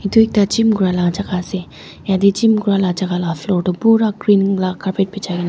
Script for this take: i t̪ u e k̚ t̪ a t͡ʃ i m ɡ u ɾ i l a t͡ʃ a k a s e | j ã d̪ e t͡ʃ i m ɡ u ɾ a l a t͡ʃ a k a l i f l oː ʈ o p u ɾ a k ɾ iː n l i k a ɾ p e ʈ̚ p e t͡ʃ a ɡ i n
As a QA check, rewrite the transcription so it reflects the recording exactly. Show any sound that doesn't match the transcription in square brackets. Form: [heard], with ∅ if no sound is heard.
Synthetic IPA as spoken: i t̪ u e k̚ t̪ a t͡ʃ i m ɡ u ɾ [a] l a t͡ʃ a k a s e | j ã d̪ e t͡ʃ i m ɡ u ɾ a l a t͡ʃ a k a l [a] f l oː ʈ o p u ɾ a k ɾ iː n l [a] k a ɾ p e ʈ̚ p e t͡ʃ a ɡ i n